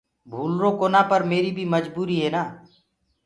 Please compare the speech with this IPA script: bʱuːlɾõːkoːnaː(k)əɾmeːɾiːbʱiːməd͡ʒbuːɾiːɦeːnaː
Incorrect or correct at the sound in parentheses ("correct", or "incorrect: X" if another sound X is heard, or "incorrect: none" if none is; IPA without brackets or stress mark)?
incorrect: p